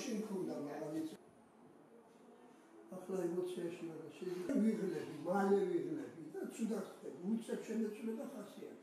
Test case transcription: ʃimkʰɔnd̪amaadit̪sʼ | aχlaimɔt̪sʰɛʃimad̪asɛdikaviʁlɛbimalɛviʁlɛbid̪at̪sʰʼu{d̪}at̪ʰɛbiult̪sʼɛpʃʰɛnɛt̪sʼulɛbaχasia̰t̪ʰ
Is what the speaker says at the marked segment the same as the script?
yes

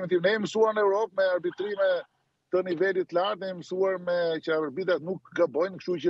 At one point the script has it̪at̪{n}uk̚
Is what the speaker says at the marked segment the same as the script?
yes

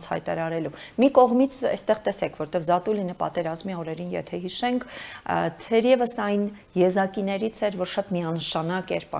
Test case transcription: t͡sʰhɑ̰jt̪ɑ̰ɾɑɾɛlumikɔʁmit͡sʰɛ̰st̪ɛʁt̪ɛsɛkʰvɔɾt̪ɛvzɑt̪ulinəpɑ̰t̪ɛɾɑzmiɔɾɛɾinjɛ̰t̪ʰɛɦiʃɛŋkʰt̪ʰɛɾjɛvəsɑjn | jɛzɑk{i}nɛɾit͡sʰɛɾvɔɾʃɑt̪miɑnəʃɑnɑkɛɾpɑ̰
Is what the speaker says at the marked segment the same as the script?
yes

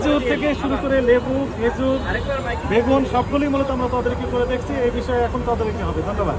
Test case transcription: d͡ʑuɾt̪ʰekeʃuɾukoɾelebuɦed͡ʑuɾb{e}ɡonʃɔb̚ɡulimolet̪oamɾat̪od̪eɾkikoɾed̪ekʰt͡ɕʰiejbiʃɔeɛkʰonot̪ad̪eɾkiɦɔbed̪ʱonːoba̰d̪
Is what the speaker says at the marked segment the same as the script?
yes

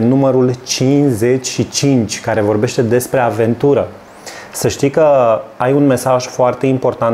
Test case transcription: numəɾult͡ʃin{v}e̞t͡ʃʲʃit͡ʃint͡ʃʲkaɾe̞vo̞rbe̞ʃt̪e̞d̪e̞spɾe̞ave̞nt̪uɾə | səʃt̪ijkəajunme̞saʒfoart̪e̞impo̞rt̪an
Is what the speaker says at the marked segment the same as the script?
no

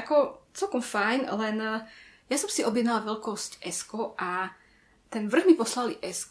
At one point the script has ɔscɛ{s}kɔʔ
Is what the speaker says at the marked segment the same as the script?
yes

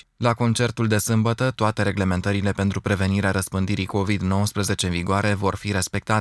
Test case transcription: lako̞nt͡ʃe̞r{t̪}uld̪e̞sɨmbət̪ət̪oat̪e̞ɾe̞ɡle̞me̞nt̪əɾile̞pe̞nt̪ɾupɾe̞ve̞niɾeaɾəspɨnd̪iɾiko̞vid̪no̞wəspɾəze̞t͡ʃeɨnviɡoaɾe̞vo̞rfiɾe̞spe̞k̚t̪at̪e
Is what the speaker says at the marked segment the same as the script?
yes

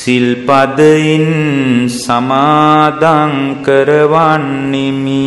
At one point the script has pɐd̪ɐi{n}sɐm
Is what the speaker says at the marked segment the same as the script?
yes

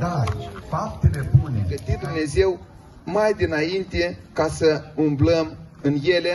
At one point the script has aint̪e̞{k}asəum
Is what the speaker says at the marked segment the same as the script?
yes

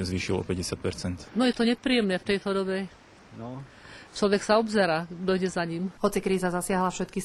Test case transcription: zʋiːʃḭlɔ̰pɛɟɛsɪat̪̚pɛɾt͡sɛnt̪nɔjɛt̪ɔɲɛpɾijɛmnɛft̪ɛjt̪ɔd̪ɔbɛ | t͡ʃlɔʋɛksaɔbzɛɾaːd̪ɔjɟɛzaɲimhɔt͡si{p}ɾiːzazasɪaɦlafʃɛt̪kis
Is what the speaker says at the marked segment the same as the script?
no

